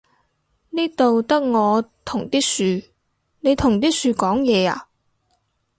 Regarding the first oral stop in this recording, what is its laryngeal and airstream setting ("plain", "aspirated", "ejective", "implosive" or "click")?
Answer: plain